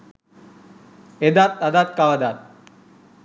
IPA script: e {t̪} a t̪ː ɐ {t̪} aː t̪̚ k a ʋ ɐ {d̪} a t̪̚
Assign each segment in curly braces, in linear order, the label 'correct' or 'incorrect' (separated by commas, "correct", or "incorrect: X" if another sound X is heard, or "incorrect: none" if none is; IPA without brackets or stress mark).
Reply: incorrect: d̪, incorrect: d̪, correct